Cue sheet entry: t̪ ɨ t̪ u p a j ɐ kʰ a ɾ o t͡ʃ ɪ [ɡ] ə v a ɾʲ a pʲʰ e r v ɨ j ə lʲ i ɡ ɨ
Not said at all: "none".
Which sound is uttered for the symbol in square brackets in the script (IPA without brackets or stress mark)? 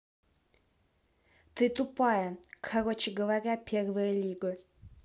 ɡ